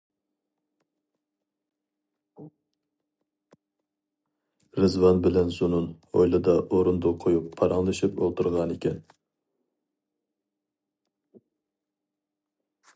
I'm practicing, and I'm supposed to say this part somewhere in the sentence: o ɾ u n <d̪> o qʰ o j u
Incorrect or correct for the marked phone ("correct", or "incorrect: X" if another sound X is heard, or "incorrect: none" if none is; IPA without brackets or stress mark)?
correct